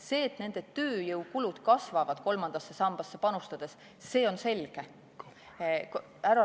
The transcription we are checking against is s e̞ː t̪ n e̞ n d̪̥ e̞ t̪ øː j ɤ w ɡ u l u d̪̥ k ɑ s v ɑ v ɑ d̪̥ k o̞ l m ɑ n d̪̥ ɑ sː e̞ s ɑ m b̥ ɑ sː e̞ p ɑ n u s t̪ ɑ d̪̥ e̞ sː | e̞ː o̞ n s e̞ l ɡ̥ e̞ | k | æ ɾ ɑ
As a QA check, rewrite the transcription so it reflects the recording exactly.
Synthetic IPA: s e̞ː t̪ n e̞ n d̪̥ e̞ t̪ øː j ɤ w k u l u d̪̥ k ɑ s v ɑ v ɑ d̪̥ k o̞ l m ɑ n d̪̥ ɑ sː e̞ s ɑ m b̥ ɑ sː e̞ p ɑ n u s t̪ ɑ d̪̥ e̞ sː | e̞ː o̞ n s e̞ l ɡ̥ e̞ | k | æ ɾ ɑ